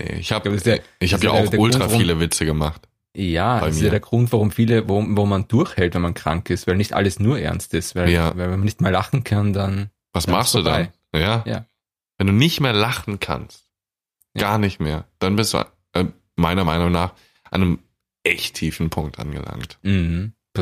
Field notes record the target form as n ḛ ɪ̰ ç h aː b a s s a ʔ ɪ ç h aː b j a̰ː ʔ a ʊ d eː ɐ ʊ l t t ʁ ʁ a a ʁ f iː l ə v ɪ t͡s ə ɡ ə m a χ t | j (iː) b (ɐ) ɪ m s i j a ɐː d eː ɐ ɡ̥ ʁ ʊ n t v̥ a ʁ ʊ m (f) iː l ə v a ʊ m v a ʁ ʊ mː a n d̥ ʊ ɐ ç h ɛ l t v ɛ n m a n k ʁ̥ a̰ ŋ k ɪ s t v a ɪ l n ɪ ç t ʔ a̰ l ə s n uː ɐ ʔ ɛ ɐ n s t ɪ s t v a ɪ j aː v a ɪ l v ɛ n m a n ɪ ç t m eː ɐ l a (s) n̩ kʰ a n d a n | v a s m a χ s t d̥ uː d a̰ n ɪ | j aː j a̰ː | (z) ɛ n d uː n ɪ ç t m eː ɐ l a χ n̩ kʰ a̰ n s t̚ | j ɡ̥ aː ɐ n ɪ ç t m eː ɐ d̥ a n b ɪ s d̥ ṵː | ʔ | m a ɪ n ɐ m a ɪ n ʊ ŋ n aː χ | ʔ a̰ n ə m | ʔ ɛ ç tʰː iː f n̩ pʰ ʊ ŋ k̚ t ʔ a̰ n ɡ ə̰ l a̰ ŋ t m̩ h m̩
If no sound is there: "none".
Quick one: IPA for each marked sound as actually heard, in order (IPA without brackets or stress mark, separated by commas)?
aː, a, f, χ, v